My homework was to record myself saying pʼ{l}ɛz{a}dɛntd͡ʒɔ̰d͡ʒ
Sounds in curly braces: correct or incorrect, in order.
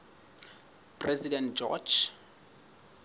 incorrect: r, incorrect: i

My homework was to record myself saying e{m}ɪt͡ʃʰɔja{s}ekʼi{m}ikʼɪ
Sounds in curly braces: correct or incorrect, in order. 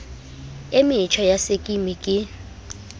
correct, correct, correct

